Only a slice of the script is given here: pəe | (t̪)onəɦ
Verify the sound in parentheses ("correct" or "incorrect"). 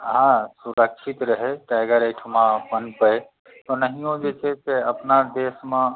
correct